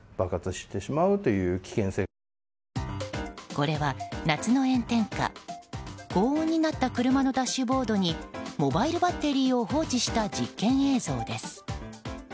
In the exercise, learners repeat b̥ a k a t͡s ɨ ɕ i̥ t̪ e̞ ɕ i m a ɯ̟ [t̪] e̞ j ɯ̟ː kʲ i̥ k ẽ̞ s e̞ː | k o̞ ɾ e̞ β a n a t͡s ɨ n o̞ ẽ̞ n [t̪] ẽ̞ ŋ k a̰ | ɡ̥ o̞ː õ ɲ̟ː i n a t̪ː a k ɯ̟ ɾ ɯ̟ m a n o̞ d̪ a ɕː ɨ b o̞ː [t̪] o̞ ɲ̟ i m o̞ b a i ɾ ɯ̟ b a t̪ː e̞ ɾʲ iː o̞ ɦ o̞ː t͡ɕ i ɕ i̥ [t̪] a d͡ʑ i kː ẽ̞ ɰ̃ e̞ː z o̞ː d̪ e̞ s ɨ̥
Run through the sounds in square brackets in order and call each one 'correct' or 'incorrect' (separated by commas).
correct, correct, incorrect, correct